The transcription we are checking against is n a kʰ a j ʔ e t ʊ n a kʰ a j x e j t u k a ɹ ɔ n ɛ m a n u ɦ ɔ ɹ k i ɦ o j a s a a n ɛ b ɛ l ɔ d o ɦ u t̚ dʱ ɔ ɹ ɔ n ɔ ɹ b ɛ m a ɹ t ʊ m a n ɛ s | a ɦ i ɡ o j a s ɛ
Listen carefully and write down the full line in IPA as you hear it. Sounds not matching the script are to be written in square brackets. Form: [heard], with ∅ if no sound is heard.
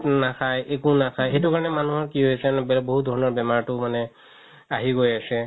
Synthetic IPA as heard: n a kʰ a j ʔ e [k] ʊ n a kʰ a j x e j t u k a ɹ ɔ n ɛ m a n u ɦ ɔ ɹ k i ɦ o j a s [ɛ] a n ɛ b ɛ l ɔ [b] o ɦ u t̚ dʱ ɔ ɹ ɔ n ɔ ɹ b ɛ m a ɹ t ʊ m a n ɛ [∅] | a ɦ i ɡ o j a s ɛ